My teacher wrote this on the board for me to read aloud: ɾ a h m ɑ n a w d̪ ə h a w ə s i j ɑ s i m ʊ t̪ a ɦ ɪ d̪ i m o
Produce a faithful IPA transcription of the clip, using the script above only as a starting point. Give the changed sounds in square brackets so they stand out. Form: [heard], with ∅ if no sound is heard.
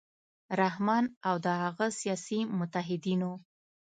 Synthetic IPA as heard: ɾ a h m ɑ n a w d̪ ə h a [ɣ] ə s i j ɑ s i m ʊ t̪ a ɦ ɪ d̪ i [n] o